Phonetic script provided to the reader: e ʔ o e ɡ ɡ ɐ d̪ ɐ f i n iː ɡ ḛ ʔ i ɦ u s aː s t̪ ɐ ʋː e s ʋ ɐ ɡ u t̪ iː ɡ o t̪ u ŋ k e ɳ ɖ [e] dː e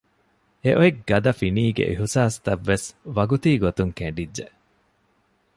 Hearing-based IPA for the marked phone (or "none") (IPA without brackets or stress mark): i